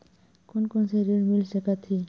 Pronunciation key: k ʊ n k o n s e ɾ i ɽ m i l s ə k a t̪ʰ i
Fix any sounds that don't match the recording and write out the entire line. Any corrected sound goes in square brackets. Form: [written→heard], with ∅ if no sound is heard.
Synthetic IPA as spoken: k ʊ n k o n s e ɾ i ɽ m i l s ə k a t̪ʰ i

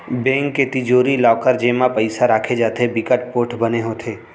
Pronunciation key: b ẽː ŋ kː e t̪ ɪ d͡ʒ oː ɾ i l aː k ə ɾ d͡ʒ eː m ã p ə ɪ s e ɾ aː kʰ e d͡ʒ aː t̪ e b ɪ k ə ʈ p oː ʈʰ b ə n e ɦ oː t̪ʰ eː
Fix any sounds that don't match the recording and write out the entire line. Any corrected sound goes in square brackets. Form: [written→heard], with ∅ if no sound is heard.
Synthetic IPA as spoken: b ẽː ŋ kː e t̪ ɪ d͡ʒ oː ɾ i l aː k ə ɾ d͡ʒ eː m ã p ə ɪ s [e→a] ɾ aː kʰ e d͡ʒ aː t̪ e b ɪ k ə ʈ p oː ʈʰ b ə n e ɦ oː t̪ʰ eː

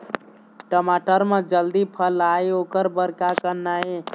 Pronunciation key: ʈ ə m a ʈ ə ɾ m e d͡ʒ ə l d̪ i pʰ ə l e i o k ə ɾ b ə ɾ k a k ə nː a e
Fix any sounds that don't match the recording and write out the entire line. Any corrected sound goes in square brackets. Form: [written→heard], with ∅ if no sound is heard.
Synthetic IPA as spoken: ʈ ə m a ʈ ə ɾ m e d͡ʒ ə l d̪ i pʰ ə l [e→a] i o k ə ɾ b ə ɾ k a k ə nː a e

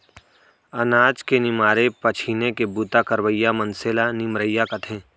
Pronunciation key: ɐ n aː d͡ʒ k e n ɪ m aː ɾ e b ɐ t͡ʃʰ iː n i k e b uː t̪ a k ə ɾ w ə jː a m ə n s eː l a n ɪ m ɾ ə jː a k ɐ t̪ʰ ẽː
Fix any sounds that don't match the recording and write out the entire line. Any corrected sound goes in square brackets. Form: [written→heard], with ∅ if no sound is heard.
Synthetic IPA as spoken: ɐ n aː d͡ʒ k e n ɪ m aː ɾ e [b→p] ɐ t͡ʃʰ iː n [i→e] k e b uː t̪ a k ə ɾ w ə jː a m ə n s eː l a n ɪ m ɾ ə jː a k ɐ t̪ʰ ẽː

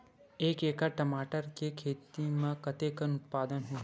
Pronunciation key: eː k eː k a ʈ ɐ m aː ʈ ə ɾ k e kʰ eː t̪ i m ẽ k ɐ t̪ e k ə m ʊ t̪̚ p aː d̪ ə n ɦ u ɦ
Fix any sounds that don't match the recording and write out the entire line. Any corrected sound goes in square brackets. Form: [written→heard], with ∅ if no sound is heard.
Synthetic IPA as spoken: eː k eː k a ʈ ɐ m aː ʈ ə ɾ k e kʰ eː t̪ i m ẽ k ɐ t̪ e k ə [m→n] ʊ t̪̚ p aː d̪ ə n ɦ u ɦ

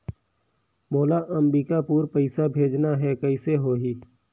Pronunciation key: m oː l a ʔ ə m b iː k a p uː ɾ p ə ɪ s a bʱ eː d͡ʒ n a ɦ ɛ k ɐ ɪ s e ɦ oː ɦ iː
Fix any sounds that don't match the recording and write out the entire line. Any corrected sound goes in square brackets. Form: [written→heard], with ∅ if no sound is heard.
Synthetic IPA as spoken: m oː l a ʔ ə m b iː k a p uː ɾ p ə ɪ s a bʱ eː d͡ʒ n a ɦ ɛ k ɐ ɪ s e ɦ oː ɦ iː

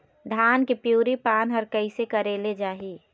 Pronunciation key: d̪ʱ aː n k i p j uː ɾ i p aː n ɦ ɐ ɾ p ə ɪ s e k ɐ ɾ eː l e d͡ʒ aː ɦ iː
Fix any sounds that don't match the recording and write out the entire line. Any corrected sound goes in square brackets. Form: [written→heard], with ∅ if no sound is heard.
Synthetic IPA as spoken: d̪ʱ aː n k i p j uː ɾ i p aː n ɦ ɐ ɾ [p→k] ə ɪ s e k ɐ ɾ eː l e d͡ʒ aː ɦ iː

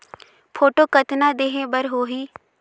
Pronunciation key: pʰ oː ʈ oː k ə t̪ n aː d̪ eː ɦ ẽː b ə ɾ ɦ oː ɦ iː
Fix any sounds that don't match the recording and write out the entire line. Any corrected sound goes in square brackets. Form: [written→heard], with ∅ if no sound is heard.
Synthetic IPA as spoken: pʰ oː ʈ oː k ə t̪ n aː d̪ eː ɦ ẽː b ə ɾ ɦ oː ɦ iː

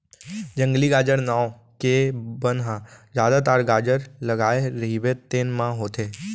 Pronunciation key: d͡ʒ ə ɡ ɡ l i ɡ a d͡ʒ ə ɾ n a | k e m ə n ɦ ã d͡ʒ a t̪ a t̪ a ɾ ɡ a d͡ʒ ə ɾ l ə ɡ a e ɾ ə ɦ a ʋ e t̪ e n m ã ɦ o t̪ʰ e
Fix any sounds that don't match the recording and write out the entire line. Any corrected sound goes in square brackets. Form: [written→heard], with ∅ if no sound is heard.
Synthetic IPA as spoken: d͡ʒ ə [ɡ→ŋ] ɡ l i ɡ a d͡ʒ ə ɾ n a | k e [m→b] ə n ɦ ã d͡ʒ a [t̪→d̪] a t̪ a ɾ ɡ a d͡ʒ ə ɾ l ə ɡ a e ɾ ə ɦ [a→i] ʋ e t̪ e n m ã ɦ o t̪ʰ e

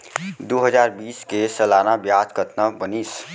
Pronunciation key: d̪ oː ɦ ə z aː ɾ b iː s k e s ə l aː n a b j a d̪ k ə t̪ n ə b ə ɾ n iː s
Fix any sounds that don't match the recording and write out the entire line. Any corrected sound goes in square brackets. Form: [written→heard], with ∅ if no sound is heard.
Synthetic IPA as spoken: d̪ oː ɦ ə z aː ɾ b iː s k e s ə l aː n a b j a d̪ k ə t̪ n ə b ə [ɾ→∅] n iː s

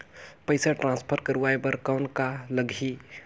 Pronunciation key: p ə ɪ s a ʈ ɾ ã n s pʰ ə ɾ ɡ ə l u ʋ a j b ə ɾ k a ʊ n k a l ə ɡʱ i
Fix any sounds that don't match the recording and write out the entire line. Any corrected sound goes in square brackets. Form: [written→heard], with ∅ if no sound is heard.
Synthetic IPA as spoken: p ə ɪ s a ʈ ɾ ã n s pʰ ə ɾ [ɡ→k] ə [l→ɾ] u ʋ a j b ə ɾ k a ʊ n k a l ə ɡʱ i

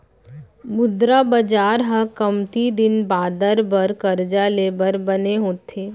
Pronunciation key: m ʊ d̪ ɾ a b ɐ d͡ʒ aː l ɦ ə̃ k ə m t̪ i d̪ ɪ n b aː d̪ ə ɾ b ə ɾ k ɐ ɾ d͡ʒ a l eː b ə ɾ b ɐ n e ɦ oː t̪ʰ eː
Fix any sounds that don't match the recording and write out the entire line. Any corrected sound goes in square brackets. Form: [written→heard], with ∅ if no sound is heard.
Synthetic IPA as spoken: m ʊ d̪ ɾ a b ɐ d͡ʒ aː [l→ɾ] ɦ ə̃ k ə m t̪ i d̪ ɪ n b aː d̪ ə ɾ b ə ɾ k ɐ ɾ d͡ʒ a l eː b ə ɾ b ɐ n e ɦ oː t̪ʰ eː

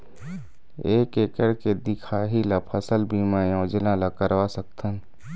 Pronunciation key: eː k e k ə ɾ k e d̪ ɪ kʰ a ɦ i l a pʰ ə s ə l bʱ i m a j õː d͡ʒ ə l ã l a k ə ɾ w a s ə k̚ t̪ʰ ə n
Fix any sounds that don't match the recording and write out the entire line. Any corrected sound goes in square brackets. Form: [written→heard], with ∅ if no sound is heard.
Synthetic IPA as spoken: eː k e k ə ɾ k e d̪ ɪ kʰ a ɦ i l a pʰ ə s ə l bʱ i m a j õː d͡ʒ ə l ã l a k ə ɾ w a s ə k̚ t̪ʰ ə n

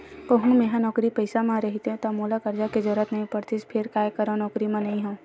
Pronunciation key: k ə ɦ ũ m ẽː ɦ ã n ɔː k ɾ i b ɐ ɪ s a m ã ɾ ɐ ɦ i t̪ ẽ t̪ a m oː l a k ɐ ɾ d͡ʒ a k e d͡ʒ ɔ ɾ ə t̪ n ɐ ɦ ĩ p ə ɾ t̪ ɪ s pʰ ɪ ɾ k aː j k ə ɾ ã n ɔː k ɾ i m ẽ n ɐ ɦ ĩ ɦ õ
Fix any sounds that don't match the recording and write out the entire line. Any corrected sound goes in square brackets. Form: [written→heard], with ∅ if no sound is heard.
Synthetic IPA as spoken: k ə ɦ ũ m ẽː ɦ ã n ɔː k ɾ i [b→p] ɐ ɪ s a m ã ɾ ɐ ɦ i t̪ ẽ t̪ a m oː l a k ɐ ɾ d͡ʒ a k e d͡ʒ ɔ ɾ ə t̪ n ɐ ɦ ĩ p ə ɾ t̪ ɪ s pʰ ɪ ɾ k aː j k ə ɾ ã n ɔː k ɾ i m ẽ n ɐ ɦ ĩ ɦ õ

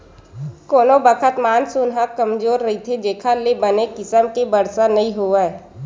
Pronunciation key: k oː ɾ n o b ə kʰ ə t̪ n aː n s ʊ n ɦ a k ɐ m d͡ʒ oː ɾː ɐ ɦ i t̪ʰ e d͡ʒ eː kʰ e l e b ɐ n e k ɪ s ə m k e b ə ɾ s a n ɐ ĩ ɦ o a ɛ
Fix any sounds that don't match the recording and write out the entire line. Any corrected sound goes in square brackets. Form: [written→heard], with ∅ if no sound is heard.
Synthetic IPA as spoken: k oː [ɾ→∅] n o b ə kʰ ə t̪ [n→m] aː n s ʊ n ɦ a k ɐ m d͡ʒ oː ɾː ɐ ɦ i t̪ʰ e d͡ʒ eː kʰ [e→a] l e b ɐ n e k ɪ s ə m k e b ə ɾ s a n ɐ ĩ ɦ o a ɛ

